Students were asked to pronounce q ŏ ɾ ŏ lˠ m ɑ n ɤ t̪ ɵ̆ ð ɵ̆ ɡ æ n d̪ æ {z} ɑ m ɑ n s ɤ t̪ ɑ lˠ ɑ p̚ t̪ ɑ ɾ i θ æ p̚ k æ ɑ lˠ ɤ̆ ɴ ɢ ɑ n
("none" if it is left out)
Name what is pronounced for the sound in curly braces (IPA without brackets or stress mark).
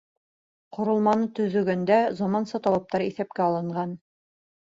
z